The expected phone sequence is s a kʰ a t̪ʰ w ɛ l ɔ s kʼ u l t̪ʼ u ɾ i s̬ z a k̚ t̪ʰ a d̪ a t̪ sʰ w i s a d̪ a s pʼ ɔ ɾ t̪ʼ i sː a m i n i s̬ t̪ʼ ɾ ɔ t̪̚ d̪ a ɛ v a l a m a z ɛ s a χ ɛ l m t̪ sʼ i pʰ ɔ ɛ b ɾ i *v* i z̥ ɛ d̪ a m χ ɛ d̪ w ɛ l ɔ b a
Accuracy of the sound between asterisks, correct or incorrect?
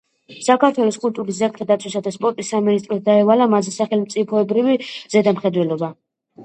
correct